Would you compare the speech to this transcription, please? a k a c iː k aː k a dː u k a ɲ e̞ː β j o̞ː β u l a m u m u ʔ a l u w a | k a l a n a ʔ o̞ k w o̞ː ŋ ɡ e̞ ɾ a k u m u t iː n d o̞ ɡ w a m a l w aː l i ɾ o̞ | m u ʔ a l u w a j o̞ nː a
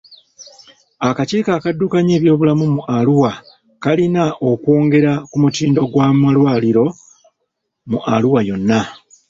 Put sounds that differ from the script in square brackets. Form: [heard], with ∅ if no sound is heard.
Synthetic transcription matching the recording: a k a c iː k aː k a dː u k a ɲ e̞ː β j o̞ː β u l a m u m u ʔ a l u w a | k a l [i] n a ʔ o̞ k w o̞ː ŋ ɡ e̞ ɾ a k u m u t iː n d o̞ ɡ w a m a l w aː l i ɾ o̞ | m u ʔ a l u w a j o̞ nː a